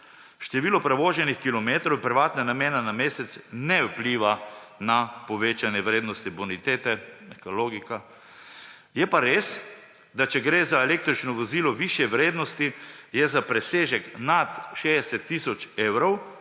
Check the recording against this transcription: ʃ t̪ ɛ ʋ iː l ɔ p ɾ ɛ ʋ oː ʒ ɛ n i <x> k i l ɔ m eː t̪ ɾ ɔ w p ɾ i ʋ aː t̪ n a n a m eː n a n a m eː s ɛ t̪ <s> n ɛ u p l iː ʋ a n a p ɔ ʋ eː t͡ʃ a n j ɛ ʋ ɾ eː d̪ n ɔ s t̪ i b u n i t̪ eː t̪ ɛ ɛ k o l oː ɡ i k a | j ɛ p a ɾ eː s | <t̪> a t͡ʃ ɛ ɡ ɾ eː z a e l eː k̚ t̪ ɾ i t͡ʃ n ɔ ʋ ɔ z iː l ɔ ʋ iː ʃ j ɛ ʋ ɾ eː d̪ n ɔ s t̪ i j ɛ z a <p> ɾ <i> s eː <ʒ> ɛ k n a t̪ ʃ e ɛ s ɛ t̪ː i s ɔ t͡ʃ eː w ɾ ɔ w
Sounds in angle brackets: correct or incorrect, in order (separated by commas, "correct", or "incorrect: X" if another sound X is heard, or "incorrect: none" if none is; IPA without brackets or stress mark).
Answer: correct, correct, incorrect: d̪, correct, incorrect: ɛ, correct